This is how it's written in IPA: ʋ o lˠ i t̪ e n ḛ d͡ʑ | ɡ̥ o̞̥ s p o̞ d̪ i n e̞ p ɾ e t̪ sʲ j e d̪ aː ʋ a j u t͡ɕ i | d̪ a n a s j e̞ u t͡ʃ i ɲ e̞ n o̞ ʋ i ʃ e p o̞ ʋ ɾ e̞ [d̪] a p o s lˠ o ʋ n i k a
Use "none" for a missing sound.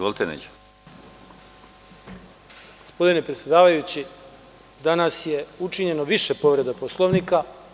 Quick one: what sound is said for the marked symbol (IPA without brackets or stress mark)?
d̪